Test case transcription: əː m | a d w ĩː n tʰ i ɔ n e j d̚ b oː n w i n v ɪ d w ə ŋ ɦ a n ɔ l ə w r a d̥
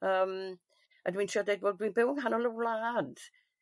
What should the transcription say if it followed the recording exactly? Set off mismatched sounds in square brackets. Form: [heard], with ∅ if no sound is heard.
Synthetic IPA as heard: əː m | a d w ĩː n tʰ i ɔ [d] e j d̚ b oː [d] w i n [b] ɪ [∅] w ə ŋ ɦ a n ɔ l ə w [l] a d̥